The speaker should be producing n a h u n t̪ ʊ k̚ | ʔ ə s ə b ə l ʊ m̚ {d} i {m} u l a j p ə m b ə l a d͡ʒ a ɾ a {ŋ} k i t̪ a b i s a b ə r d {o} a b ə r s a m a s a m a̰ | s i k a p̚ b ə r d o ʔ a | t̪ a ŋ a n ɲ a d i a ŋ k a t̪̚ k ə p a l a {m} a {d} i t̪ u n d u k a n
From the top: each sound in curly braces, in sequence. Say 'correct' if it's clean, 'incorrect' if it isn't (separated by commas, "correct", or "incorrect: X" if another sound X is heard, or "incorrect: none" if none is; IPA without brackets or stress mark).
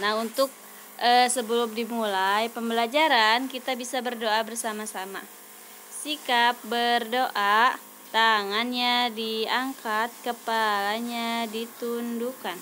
correct, correct, incorrect: n, correct, incorrect: ɲ, correct